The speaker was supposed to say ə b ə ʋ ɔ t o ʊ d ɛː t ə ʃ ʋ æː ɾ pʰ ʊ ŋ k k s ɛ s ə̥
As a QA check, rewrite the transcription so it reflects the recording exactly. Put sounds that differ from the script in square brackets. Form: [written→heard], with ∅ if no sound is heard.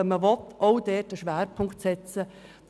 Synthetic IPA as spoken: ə [b→m] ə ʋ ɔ t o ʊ d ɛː t ə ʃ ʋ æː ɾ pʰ ʊ ŋ k [k→t] s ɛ [s→t͡s] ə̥